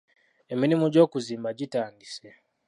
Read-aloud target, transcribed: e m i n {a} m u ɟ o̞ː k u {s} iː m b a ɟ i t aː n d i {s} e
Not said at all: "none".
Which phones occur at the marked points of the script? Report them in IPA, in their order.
i, z, s

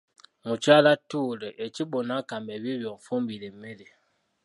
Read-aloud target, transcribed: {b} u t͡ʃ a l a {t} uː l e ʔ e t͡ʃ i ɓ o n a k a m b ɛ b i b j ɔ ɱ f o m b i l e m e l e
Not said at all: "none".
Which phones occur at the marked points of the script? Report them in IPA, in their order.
m, t

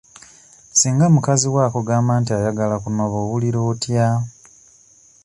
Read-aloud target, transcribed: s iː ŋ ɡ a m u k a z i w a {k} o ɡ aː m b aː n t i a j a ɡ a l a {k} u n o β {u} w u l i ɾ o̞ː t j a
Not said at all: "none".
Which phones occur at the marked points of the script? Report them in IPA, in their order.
k, k, o

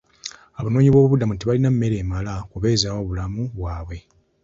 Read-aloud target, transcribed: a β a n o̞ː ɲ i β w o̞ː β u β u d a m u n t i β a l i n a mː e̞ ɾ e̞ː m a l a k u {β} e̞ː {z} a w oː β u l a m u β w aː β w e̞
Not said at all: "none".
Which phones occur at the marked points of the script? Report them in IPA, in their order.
β, z

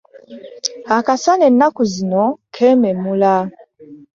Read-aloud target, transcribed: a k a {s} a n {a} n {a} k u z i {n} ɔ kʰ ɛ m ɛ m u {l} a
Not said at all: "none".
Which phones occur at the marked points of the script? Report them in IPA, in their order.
s, ɛ, a, n, l

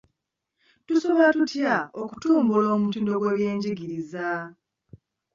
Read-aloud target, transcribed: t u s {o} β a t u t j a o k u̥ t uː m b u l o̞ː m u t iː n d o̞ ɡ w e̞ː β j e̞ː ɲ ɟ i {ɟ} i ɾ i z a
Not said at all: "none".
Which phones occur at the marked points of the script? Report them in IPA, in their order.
o, ɡ

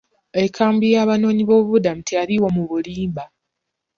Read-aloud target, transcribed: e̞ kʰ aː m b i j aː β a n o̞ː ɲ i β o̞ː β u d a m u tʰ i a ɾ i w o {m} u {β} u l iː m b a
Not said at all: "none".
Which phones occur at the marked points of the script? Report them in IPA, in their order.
m, β

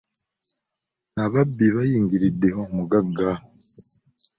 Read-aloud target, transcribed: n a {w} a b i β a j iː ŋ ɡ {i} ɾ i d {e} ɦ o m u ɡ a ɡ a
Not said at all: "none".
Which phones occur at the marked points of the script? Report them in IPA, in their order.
β, i, e

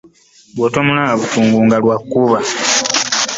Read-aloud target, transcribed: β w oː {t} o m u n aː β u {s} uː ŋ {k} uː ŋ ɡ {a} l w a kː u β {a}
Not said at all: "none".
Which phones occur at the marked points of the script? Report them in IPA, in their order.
t, t, ɡ, a, a

